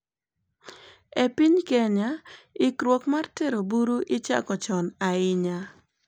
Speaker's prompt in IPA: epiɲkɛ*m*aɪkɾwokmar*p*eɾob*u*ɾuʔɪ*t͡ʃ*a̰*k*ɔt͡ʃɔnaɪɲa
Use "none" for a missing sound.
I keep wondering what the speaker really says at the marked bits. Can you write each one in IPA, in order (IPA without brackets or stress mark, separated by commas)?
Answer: ɲ, t, u, t͡ʃ, k